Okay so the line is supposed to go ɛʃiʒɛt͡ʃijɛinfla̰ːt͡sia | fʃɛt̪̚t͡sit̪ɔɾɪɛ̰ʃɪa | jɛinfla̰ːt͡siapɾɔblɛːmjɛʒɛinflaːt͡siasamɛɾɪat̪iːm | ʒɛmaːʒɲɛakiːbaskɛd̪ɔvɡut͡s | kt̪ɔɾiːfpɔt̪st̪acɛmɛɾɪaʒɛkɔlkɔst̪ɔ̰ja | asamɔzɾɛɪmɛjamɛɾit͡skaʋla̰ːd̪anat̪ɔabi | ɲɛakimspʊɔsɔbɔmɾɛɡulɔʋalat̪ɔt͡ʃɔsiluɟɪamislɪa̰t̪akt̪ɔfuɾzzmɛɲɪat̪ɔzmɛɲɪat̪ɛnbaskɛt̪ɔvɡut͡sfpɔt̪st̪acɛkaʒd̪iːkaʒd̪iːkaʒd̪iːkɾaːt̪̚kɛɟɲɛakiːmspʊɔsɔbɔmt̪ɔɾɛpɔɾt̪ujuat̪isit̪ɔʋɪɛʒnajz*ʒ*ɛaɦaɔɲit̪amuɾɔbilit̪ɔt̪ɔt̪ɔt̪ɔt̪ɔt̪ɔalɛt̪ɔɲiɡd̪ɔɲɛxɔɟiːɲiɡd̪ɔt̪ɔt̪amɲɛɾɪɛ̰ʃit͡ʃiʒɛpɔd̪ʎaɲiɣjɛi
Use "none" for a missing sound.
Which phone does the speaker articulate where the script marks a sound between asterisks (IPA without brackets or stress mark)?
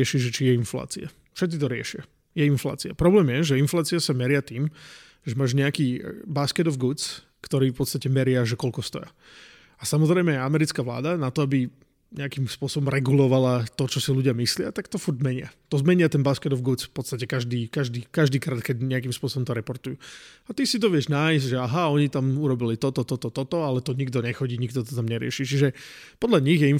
ʒ